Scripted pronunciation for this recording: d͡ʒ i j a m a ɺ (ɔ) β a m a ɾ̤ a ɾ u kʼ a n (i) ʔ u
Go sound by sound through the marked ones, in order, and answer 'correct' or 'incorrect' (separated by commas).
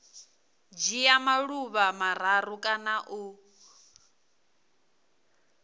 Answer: incorrect, incorrect